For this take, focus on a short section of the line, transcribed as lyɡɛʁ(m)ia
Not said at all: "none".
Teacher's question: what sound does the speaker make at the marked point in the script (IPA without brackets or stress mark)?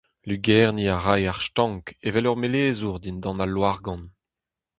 n